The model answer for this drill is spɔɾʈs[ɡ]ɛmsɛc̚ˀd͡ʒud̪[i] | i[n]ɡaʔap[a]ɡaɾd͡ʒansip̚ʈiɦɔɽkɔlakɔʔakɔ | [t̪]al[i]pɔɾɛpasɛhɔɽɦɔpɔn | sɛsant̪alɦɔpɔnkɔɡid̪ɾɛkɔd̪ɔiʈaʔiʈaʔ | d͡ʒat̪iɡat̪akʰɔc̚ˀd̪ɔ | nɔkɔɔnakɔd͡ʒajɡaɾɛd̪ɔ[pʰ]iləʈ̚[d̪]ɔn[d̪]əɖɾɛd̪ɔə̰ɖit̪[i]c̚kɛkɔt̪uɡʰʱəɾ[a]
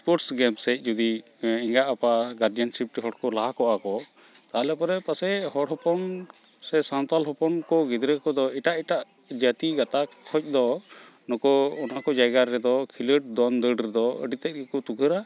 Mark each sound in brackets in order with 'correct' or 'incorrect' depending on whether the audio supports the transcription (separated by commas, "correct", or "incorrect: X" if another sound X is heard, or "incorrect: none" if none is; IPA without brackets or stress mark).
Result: correct, correct, incorrect: ŋ, correct, correct, incorrect: ɛ, incorrect: kʰ, correct, correct, incorrect: ɛ, correct